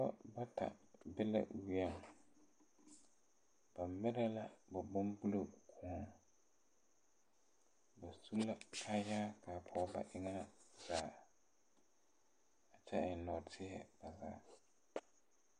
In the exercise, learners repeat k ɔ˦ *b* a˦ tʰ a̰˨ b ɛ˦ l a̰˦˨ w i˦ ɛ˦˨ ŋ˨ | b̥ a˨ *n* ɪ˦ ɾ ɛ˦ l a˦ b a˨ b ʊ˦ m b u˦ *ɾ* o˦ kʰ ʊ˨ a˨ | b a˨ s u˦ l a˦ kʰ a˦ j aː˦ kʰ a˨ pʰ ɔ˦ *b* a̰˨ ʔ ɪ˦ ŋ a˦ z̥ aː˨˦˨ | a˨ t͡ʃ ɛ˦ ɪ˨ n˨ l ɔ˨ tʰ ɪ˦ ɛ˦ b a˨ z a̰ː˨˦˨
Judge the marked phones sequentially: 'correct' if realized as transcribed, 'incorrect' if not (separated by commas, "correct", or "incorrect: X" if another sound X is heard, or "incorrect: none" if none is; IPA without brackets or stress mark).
correct, incorrect: m, incorrect: l, correct